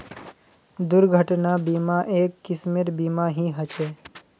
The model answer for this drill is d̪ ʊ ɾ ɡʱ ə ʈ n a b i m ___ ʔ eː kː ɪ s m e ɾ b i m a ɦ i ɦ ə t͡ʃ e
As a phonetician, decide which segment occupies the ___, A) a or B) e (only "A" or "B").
A